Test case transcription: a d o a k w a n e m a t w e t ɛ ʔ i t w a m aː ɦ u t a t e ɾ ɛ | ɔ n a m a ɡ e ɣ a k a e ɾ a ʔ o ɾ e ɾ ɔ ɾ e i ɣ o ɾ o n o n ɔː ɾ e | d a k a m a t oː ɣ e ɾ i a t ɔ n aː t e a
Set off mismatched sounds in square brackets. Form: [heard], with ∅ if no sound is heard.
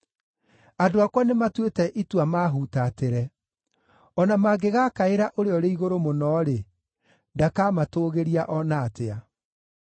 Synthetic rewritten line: a d o a k w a n e m a t w e t ɛ ʔ i t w a m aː ɦ u t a t e ɾ ɛ | ɔ n a m a ɡ e ɣ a k a e ɾ a ʔ o ɾ e [∅] ɔ ɾ e i ɣ o ɾ o [m] o n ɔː ɾ e | d a k a m a t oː ɣ e ɾ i a [ʔ] ɔ n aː t e a